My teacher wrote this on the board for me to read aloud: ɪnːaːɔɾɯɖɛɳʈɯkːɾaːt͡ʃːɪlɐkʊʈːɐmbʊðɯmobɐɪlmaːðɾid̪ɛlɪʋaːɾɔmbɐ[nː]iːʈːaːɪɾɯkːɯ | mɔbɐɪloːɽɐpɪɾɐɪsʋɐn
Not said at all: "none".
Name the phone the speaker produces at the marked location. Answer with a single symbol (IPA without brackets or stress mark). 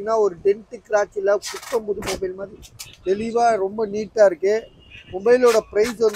n